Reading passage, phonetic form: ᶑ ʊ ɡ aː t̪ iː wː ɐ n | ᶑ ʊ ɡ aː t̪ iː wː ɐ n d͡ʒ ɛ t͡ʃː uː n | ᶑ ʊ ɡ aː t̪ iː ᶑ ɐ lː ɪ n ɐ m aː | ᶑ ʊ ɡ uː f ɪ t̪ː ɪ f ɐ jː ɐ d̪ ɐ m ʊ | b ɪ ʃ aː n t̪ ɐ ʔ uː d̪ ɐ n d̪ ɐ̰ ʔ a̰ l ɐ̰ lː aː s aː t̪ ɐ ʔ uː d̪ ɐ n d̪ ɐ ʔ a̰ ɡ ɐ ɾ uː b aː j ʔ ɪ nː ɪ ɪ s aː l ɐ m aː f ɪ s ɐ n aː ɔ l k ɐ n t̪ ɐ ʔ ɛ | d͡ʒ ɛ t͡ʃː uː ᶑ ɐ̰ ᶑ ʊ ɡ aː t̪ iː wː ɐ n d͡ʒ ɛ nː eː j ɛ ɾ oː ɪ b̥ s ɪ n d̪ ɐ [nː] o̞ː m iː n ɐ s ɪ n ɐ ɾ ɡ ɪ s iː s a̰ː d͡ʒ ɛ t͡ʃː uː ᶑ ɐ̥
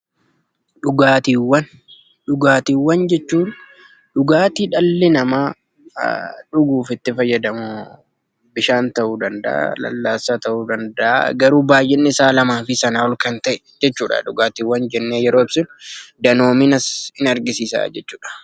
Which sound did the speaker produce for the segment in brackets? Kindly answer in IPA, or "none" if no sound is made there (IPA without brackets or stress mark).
n